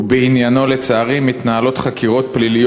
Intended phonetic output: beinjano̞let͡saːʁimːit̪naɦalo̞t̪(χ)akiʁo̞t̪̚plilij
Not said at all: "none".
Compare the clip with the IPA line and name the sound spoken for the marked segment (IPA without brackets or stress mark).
χ